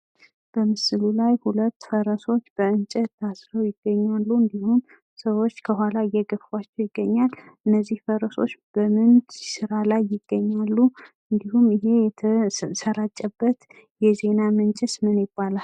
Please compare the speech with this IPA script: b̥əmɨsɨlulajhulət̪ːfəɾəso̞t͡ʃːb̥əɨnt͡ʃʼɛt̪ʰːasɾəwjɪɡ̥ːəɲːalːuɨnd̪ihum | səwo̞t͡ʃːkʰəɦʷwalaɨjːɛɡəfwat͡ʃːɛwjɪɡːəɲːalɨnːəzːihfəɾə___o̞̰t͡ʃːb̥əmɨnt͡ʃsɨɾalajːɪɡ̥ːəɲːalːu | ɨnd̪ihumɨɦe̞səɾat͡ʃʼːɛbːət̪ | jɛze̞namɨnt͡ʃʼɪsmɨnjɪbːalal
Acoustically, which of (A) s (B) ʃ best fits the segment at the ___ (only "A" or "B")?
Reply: A